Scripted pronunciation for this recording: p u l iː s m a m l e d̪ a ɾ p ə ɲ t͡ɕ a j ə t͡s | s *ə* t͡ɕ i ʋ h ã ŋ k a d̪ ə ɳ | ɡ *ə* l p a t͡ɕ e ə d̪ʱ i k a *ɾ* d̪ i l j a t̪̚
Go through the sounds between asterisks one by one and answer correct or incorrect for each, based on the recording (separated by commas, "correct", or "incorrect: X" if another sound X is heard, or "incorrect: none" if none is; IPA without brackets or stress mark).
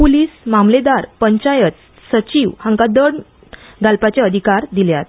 correct, incorrect: a, correct